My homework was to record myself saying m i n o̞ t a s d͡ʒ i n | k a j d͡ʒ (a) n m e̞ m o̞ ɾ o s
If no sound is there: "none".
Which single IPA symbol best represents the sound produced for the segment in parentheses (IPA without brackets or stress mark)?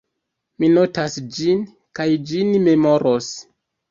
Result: i